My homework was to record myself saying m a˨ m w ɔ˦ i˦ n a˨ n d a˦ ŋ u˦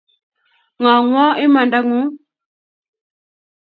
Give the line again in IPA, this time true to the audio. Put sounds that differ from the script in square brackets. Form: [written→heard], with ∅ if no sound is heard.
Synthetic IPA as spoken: [m→ŋ] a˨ [m→ŋ] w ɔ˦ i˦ [n→m] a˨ n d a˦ ŋ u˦